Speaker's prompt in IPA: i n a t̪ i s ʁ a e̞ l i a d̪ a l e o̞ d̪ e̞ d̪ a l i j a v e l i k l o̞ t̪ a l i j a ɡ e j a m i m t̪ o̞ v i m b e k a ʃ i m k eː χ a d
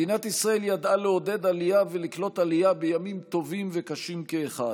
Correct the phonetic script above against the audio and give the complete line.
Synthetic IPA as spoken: i n a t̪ i s ʁ a e̞ l j a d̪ a l e o̞ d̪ e̞ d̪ a l i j a v e l i k l o̞ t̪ a l i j a b e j a m i m t̪ o̞ v i m v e k a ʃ i m k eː χ a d